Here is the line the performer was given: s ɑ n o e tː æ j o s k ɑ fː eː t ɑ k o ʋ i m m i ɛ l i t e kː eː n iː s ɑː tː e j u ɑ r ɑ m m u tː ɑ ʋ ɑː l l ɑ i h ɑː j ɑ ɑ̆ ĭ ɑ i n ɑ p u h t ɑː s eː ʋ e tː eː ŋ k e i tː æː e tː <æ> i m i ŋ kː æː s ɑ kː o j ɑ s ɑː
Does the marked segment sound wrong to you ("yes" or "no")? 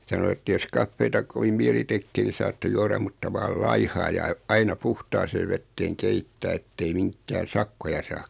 yes